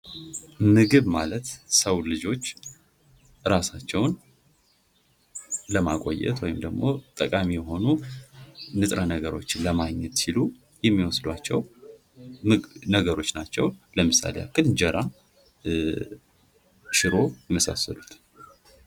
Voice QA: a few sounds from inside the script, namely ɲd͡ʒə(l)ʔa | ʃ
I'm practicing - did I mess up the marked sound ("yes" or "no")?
yes